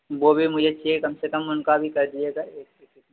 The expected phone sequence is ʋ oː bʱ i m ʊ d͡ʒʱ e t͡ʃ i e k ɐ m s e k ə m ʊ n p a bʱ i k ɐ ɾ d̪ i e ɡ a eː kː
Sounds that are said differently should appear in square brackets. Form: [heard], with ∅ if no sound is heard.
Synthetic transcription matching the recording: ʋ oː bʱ i m ʊ d͡ʒʱ e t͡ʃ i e k ɐ m s e k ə m ʊ n [k] a bʱ i k ɐ ɾ d̪ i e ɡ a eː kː